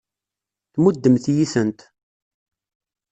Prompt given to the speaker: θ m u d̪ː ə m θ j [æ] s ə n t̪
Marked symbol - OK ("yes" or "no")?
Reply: no